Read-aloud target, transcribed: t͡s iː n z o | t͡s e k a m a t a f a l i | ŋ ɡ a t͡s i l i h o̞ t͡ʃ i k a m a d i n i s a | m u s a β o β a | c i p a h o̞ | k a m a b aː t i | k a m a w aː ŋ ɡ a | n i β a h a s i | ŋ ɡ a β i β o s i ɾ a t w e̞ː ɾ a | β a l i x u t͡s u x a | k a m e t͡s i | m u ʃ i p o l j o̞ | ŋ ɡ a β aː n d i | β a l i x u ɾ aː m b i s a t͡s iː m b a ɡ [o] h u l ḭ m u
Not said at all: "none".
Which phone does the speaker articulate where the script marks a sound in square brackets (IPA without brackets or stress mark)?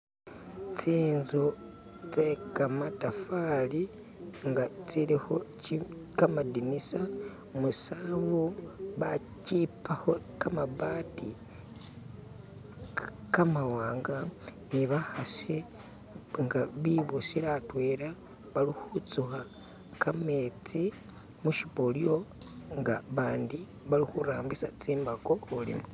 o